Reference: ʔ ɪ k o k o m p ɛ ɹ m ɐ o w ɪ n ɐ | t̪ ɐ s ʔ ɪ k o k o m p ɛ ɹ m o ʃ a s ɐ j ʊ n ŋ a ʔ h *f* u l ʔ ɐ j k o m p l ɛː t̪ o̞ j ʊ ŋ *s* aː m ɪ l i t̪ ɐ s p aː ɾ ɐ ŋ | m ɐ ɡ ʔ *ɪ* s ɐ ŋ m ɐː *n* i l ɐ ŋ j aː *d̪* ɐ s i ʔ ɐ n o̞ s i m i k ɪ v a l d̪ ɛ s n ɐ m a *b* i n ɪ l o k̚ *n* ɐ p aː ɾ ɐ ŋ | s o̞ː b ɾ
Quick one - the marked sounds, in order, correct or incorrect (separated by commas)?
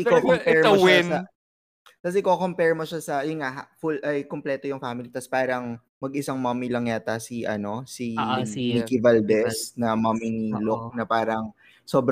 correct, incorrect, correct, incorrect, incorrect, incorrect, correct